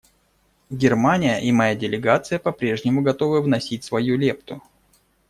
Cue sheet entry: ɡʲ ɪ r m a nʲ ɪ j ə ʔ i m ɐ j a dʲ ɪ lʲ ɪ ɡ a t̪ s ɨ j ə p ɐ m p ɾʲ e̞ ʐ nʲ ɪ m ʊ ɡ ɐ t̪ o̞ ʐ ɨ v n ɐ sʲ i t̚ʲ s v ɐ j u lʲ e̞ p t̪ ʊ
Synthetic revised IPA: ɡʲ ɪ r m a nʲ ɪ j ə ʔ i m ɐ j a dʲ ɪ lʲ ɪ ɡ a t̪ s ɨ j ə p ɐ p ɾʲ e̞ ʐ nʲ ɪ m ʊ ɡ ɐ t̪ o̞ v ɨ v n ɐ sʲ i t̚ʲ s v ɐ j u lʲ e̞ p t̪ ʊ